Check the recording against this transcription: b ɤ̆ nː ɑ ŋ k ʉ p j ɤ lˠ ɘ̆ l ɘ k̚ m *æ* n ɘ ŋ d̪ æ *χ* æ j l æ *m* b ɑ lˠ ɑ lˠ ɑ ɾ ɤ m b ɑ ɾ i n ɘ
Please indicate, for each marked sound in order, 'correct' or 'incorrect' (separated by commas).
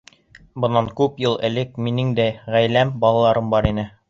incorrect, incorrect, correct